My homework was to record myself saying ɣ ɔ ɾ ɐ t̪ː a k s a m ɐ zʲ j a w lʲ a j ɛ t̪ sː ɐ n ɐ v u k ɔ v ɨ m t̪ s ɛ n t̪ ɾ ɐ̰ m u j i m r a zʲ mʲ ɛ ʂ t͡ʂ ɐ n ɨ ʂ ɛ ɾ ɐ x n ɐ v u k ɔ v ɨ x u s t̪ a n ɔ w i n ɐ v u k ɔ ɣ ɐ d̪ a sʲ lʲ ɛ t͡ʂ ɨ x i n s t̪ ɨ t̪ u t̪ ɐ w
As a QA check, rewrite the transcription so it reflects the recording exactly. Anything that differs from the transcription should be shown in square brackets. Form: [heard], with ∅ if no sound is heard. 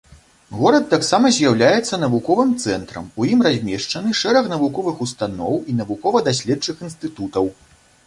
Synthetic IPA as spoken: ɣ ɔ ɾ ɐ t̪ː a k s a m ɐ zʲ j a w lʲ a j ɛ t̪ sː ɐ n ɐ v u k ɔ v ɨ m t̪ s ɛ n t̪ ɾ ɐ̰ m u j i m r a zʲ mʲ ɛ ʂ t͡ʂ ɐ n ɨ ʂ ɛ ɾ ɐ x n ɐ v u k ɔ v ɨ x u s t̪ a n ɔ w i n ɐ v u k ɔ [v] ɐ d̪ a sʲ lʲ ɛ t͡ʂ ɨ x i n s t̪ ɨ t̪ u t̪ ɐ w